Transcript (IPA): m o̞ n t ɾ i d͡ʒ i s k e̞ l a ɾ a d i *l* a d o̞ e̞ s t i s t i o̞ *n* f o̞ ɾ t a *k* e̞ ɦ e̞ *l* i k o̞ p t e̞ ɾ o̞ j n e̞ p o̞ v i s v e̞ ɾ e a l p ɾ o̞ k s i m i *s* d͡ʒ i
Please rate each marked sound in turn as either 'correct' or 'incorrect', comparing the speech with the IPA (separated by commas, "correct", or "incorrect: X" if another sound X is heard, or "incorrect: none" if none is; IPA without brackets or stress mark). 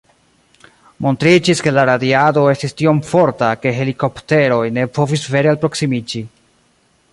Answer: incorrect: none, incorrect: m, correct, correct, incorrect: none